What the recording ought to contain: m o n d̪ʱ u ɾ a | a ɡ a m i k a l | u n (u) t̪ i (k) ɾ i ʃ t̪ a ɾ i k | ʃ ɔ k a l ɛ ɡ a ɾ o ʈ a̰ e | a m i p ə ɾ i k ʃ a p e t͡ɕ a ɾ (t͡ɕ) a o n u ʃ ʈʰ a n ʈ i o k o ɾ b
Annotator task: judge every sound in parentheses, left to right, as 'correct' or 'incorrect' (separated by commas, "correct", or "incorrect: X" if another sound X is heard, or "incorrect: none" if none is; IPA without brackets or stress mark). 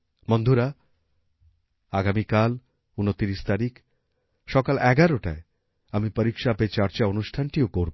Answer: incorrect: o, incorrect: none, correct